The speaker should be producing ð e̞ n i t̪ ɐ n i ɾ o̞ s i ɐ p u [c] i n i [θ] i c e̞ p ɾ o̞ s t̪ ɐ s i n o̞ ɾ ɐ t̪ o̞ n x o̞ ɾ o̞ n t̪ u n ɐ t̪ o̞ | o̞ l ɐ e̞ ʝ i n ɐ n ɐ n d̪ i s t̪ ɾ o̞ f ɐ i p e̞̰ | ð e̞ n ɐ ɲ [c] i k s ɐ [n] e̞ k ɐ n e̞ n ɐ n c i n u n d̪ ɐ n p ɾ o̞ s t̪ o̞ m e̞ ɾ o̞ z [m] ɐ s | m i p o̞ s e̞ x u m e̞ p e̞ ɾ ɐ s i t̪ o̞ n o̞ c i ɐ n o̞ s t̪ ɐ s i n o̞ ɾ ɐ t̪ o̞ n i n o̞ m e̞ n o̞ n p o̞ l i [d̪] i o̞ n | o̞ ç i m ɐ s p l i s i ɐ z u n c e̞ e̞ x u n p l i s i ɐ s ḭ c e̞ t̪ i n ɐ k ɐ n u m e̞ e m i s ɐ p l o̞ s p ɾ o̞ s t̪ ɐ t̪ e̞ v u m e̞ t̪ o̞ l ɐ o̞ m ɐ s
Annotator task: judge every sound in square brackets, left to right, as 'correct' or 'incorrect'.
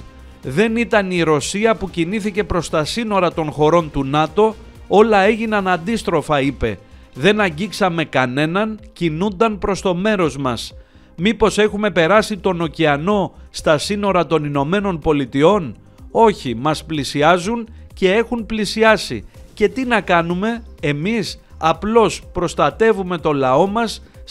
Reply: correct, correct, incorrect: ɟ, incorrect: m, correct, incorrect: t̪

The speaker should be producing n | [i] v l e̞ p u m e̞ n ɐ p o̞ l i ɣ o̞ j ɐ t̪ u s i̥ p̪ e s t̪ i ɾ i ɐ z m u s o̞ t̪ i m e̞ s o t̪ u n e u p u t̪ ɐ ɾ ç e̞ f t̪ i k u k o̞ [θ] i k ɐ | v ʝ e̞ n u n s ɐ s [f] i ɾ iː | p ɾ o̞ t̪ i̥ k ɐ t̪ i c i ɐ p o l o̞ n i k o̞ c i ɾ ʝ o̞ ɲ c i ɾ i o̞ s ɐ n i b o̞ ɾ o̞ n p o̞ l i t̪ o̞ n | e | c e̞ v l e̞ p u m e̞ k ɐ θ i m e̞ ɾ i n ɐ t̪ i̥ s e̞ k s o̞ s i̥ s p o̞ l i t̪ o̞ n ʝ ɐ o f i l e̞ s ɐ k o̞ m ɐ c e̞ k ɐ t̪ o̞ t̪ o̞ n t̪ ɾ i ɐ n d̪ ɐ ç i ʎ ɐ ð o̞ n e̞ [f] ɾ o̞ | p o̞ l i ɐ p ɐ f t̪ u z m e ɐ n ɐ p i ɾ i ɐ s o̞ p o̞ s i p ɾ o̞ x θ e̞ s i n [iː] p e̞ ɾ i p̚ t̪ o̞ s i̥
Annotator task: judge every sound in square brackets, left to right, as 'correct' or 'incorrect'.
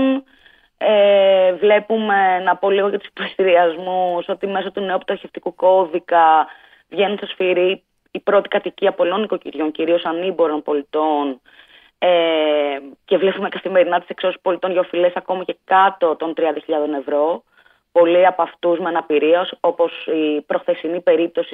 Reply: incorrect: e, incorrect: ð, correct, incorrect: v, incorrect: i

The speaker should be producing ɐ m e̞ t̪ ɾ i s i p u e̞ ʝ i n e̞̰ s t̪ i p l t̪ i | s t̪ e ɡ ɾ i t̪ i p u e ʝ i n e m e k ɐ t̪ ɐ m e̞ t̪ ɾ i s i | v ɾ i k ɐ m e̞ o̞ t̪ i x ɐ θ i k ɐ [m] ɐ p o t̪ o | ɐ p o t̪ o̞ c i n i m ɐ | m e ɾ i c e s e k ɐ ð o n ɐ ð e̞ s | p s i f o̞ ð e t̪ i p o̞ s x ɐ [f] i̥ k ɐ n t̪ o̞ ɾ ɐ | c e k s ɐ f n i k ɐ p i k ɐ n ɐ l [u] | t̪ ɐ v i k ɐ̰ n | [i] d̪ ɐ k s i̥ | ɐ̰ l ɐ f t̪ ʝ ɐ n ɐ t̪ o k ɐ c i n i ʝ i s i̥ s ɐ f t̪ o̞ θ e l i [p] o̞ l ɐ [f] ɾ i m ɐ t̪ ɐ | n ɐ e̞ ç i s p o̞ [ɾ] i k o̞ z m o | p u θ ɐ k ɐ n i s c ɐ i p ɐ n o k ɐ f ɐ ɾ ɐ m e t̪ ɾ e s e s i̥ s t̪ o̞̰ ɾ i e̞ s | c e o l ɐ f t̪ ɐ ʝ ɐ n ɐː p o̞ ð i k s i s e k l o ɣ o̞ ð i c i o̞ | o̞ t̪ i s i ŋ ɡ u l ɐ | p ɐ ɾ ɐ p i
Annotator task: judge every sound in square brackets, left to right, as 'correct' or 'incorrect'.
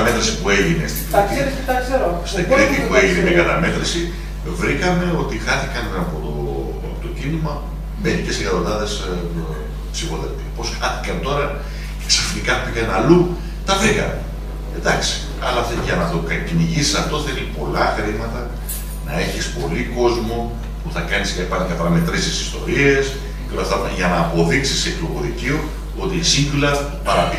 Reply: incorrect: n, incorrect: θ, correct, incorrect: e, correct, incorrect: x, incorrect: l

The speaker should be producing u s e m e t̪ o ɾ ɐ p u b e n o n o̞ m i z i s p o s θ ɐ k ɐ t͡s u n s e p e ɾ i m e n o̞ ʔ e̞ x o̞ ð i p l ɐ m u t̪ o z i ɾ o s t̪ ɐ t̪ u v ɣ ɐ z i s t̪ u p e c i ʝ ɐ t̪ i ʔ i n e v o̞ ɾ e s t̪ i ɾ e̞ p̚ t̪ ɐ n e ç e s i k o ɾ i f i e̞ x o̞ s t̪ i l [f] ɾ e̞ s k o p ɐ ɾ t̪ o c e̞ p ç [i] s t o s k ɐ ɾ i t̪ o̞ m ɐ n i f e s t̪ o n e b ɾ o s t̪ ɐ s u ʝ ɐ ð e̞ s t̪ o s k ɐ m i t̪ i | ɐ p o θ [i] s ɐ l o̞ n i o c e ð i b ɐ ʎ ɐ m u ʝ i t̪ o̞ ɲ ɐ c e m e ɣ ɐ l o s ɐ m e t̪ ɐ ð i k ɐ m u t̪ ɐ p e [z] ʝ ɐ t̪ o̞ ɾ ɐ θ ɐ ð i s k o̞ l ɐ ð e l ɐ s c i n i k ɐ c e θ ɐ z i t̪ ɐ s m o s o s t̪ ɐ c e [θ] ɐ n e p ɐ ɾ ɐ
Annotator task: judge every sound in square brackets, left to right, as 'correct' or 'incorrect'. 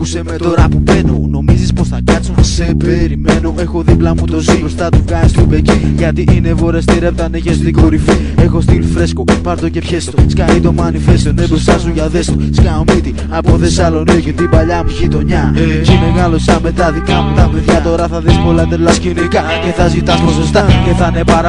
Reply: correct, incorrect: e, incorrect: e, incorrect: ð, correct

